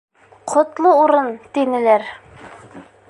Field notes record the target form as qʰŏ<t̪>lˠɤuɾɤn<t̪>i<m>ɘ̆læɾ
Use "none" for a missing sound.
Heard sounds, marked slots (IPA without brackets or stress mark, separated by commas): t̪, t̪, n